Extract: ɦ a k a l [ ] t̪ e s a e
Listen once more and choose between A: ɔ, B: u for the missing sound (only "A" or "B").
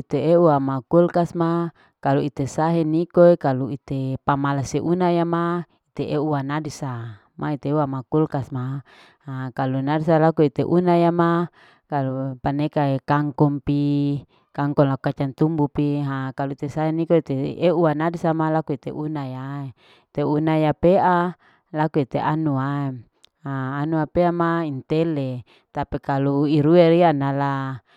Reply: B